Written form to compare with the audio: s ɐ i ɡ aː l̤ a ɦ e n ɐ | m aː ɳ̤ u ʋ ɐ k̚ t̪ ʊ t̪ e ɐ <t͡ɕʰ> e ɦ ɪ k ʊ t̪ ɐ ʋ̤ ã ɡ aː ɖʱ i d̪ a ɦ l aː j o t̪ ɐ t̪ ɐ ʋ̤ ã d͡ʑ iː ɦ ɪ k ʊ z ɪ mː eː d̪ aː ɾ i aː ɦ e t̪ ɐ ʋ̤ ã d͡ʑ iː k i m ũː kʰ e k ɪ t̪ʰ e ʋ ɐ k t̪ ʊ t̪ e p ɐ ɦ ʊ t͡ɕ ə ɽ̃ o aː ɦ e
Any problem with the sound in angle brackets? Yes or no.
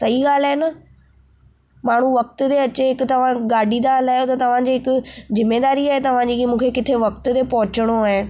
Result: yes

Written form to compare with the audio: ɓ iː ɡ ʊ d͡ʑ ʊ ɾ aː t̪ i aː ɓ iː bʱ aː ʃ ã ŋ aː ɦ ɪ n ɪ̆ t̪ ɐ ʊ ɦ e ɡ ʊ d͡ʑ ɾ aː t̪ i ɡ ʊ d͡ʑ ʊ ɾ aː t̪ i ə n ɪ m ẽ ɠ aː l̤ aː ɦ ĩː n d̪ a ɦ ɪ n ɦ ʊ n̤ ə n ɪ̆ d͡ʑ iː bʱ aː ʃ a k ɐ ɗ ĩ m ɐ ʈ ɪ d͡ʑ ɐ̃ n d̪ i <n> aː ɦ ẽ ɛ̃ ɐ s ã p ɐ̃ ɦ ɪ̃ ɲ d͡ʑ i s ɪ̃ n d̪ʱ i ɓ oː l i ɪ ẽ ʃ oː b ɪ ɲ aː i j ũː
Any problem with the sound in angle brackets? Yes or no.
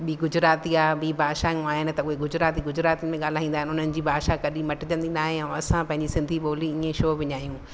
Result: no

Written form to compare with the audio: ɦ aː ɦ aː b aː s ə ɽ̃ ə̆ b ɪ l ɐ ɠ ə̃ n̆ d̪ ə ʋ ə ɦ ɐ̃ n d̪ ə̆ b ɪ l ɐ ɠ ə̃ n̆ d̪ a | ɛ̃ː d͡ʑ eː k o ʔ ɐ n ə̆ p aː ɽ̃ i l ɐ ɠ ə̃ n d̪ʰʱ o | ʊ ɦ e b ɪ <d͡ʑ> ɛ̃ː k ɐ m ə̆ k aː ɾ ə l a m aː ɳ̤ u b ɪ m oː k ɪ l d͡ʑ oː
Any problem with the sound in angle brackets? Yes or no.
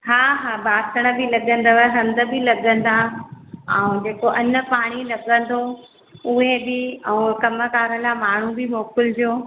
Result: yes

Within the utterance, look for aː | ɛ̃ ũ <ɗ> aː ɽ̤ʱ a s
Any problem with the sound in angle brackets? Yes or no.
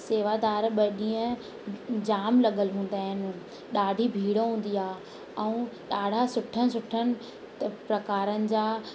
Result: no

